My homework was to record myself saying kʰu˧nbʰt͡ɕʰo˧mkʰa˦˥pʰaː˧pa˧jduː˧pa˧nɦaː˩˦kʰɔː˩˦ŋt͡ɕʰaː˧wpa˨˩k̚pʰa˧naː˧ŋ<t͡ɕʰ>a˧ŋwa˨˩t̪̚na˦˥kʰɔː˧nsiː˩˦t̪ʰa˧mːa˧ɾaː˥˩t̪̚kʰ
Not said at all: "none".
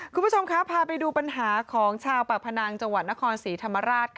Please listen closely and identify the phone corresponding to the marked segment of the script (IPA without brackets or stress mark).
t͡ɕ